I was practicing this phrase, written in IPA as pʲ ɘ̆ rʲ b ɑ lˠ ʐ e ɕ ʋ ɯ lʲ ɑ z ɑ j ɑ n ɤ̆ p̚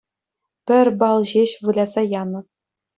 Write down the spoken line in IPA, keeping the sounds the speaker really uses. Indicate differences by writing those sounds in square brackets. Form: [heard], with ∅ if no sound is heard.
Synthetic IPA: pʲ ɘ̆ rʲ b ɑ lˠ [ʑ] e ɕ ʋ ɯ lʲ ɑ z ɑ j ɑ n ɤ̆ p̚